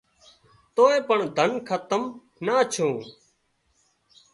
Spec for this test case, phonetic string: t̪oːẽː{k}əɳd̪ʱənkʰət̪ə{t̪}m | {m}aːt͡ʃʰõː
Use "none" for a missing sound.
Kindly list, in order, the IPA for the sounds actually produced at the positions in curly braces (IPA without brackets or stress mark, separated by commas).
p, none, n